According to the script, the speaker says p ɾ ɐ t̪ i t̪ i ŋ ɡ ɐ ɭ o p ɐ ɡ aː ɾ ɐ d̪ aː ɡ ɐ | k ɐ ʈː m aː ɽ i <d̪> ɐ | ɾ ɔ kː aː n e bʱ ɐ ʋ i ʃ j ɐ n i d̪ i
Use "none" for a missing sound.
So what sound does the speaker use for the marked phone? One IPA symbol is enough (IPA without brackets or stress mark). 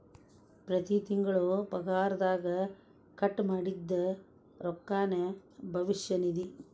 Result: d̪ː